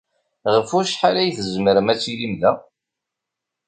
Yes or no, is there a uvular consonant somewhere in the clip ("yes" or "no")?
yes